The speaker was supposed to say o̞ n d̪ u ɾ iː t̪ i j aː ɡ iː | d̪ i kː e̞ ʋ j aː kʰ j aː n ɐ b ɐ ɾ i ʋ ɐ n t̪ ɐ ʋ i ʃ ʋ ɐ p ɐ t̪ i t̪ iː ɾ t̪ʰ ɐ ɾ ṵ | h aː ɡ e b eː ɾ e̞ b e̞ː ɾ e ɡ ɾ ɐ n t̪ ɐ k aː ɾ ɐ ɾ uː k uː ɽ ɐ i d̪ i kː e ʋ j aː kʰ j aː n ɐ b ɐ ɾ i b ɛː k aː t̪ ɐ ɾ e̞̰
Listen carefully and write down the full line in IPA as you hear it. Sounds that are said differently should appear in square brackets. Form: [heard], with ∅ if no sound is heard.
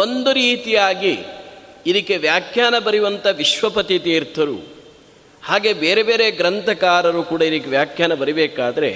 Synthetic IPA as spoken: o̞ n d̪ u ɾ iː t̪ i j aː ɡ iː | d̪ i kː e̞ ʋ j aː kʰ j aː n ɐ b ɐ ɾ i ʋ ɐ n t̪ ɐ ʋ i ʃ ʋ ɐ p ɐ t̪ i t̪ iː ɾ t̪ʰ ɐ ɾ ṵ | h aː ɡ e b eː ɾ e̞ b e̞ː ɾ e ɡ ɾ ɐ n t̪ ɐ k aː ɾ ɐ ɾ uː k uː ɽ ɐ i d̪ i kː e ʋ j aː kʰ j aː n ɐ b ɐ ɾ i b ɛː k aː [d̪] ɐ ɾ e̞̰